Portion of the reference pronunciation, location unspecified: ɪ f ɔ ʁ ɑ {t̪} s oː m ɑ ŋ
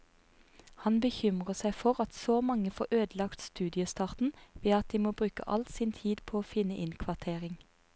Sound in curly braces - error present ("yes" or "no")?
no